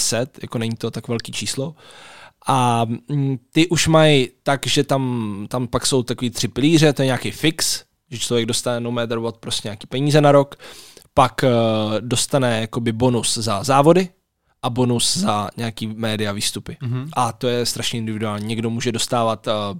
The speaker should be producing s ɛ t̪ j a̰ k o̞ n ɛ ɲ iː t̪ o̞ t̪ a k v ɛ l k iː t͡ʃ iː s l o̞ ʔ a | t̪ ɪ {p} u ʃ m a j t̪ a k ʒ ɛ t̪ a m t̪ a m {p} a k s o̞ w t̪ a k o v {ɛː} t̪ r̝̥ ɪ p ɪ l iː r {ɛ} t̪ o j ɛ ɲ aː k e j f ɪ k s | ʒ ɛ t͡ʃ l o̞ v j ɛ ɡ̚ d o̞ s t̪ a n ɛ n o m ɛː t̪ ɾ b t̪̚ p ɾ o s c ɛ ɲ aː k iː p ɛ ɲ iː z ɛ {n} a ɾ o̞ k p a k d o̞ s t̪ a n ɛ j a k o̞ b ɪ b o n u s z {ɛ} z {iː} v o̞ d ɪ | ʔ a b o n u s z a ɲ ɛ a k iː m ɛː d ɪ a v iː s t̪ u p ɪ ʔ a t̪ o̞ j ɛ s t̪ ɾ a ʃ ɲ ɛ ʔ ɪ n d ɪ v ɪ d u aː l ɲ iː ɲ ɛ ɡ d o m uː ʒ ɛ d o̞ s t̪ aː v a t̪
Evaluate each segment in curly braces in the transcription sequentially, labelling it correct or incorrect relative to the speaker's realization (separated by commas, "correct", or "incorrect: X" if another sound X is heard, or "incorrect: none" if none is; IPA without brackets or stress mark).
incorrect: ʔ, correct, incorrect: iː, correct, correct, incorrect: a, incorrect: aː